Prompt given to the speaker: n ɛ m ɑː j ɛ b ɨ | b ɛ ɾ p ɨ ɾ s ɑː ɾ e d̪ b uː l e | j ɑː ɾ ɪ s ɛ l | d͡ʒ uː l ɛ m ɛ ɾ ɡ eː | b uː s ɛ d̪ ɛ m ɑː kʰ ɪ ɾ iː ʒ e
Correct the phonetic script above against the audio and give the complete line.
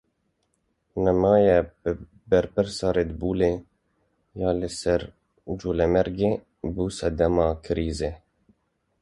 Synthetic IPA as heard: n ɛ m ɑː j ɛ b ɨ | b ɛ ɾ p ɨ ɾ s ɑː ɾ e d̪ b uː l e | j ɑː l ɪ s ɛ ɾ | d͡ʒ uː l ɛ m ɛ ɾ ɡ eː | b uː s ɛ d̪ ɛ m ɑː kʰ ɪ ɾ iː z e